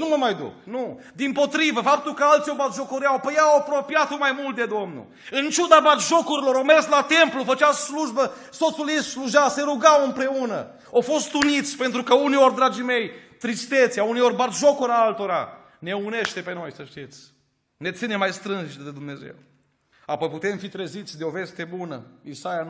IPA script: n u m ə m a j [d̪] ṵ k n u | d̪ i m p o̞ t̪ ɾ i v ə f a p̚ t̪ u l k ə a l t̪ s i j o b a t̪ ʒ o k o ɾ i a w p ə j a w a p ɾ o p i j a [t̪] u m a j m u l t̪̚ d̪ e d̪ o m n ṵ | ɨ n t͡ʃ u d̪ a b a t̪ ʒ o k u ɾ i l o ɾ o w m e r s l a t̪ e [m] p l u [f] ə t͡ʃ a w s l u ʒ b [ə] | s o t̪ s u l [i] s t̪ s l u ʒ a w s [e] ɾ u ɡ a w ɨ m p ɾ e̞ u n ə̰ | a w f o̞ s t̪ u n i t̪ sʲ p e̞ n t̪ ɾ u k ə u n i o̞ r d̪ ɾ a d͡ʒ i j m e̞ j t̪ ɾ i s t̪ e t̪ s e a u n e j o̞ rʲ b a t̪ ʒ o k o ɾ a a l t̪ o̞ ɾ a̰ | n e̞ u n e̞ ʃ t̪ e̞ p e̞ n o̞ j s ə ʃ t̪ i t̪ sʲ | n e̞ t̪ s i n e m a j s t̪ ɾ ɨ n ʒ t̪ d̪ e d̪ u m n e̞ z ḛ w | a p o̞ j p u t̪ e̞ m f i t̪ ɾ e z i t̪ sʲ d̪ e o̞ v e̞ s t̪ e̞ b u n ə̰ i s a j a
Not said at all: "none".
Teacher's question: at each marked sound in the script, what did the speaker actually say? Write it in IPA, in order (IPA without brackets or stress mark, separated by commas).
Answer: d̪, t̪, m, f, ə, i, e